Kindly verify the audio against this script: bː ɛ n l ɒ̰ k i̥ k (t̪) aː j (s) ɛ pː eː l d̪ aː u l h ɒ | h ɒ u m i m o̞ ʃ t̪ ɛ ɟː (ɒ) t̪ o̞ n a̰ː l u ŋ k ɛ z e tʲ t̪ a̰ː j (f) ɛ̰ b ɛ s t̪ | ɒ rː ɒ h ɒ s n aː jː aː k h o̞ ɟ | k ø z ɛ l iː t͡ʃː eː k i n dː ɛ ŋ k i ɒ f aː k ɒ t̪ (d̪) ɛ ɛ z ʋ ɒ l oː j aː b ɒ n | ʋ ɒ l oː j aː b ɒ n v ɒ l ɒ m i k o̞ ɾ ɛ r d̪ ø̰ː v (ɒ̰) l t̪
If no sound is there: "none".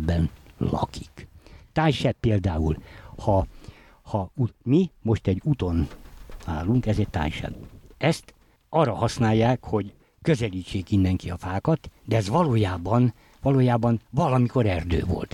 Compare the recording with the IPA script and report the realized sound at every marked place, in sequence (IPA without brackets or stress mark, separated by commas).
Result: t̪, ʃ, u, ʃ, d̪, o̰